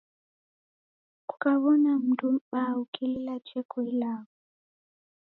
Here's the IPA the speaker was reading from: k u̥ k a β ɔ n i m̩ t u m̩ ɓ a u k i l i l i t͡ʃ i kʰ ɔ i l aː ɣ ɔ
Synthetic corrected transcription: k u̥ k a β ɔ n a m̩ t u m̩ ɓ a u k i l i l a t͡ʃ ɛ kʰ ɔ i l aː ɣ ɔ

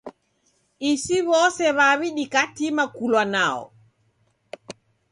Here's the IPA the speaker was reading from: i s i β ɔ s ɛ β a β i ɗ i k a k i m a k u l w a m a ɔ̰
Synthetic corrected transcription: i s i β ɔ s ɛ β a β i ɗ i k a t i m a k u l w a n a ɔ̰

